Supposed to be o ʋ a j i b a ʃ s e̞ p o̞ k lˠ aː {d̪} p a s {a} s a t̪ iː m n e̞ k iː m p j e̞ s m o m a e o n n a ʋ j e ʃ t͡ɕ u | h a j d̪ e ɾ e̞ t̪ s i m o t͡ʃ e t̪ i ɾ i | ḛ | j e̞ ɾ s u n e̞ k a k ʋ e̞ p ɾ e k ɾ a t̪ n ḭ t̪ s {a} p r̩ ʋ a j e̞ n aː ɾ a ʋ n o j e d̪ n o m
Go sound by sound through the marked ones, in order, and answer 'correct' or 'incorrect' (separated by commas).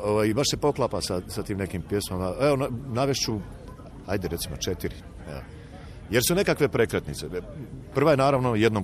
incorrect, correct, incorrect